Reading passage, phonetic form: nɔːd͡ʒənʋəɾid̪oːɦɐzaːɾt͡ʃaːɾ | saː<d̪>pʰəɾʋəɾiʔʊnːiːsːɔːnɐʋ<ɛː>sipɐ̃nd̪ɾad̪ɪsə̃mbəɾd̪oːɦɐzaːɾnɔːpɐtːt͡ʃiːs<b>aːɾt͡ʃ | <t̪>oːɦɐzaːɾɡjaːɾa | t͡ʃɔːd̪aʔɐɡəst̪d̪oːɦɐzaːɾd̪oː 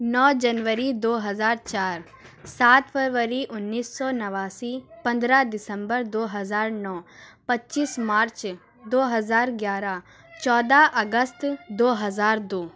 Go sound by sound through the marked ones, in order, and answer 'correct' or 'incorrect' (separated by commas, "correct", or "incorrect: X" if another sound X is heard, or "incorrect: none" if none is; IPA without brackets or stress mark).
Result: incorrect: t̪, incorrect: aː, incorrect: m, incorrect: d̪